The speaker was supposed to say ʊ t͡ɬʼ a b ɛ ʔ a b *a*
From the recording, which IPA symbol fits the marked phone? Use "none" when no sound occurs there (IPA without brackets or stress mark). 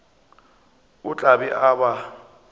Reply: a